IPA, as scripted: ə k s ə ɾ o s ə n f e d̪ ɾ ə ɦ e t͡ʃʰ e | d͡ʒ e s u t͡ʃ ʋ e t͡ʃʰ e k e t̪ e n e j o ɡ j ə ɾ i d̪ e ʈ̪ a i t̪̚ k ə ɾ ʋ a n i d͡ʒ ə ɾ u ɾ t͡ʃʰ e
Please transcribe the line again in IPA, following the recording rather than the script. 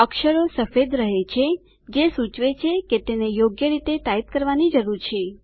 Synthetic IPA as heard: ə k ʃ ə ɾ o s ə f e d̪ ɾ ə ɦ e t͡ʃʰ e | d͡ʒ e s u t͡ʃ ʋ e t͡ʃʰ e k e t̪ e n e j o ɡ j ə ɾ i t̪ e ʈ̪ a i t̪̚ k ə ɾ ʋ a n i d͡ʒ ə ɾ u ɾ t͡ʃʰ e

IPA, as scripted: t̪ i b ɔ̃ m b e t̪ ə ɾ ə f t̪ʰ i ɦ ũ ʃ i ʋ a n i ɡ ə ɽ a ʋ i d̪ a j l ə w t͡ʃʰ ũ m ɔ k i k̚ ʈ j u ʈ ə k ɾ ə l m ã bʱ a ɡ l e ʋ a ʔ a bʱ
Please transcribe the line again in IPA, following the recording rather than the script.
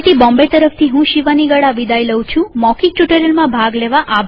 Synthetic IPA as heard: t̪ i b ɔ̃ m b e t̪ ə ɾ ə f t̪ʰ i ɦ ũ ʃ i ʋ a n i ɡ ə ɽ a ʋ i d̪ a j l ə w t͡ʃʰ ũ m ɔ k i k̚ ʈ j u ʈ ə ɾ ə l m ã bʱ a ɡ l e ʋ a ʔ a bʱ

